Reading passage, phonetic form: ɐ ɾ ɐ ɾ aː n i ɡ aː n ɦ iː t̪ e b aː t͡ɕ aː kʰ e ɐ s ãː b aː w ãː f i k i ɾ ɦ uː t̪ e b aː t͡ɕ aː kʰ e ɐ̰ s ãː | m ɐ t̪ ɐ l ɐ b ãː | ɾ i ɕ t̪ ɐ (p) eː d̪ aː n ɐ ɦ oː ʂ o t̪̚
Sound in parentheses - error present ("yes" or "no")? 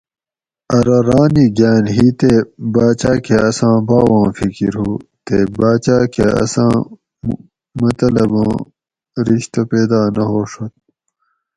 no